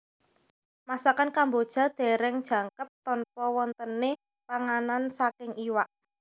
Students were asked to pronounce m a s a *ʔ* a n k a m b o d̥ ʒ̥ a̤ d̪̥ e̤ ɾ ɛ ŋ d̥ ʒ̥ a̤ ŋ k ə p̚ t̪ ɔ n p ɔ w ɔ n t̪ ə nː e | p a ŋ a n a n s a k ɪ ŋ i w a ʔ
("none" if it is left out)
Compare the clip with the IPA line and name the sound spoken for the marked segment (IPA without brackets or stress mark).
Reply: k